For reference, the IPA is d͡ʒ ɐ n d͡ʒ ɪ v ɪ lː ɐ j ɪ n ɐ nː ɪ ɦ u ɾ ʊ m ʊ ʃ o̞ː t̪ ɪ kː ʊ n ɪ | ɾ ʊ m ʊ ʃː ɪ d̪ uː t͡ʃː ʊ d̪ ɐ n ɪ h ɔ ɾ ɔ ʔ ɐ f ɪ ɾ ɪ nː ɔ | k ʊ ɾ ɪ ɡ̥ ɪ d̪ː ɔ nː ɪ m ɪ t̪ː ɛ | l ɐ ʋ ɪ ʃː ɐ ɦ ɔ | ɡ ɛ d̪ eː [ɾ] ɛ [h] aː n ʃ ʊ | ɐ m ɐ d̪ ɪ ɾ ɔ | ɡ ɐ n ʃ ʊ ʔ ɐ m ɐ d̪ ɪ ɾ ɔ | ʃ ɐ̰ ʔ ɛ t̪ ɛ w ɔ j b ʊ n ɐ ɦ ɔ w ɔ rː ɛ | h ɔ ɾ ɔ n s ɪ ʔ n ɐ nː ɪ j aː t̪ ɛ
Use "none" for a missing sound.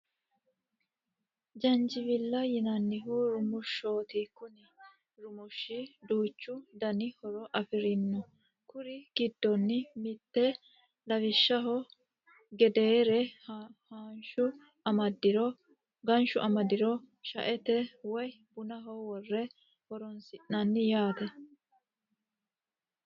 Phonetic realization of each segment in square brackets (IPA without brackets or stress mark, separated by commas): ɾ, h